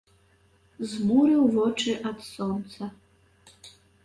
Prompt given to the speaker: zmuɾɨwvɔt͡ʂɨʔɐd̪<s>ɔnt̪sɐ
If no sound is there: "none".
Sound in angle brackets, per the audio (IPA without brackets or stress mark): s